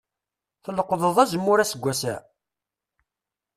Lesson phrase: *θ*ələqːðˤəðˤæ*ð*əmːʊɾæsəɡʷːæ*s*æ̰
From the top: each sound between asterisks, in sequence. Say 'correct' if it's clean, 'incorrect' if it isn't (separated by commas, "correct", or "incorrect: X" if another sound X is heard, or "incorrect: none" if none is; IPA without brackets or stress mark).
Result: correct, incorrect: z, correct